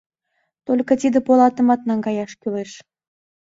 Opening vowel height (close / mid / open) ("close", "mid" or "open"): mid